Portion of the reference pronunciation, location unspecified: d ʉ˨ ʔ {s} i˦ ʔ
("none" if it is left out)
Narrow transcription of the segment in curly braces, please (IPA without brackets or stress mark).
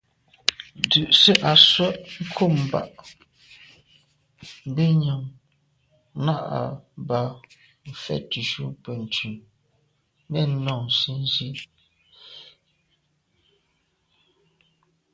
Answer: s